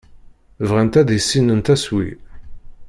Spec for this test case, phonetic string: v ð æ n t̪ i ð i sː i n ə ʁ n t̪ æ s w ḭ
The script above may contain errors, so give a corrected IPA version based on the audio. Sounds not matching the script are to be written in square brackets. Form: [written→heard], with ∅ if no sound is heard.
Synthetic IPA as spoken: v [ð→ʁ] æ n t̪ [i→æ] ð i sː i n ə [ʁ→∅] n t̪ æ s w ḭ